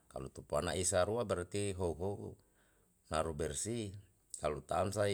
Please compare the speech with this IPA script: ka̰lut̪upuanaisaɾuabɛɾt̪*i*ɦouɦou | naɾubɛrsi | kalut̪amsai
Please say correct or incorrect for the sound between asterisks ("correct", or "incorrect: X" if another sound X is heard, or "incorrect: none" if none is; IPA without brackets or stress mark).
correct